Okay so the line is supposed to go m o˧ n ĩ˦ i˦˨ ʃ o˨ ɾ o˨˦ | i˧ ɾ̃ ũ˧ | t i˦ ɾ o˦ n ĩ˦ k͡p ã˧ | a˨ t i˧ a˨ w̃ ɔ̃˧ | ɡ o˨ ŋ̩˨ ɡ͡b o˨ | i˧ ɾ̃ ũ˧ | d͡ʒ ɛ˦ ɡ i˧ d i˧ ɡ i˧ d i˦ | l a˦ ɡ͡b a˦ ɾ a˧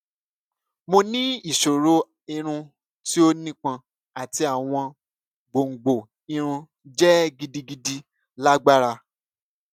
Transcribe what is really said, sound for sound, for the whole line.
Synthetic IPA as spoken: m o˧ n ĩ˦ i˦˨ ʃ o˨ ɾ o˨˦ | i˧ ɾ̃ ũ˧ | t i˦ o˦ n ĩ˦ k͡p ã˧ | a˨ t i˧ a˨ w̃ ɔ̃˧ | ɡ͡b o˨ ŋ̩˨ ɡ͡b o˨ | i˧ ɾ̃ ũ˧ | d͡ʒ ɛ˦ ɡ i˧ d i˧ ɡ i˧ d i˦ | l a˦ ɡ͡b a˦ ɾ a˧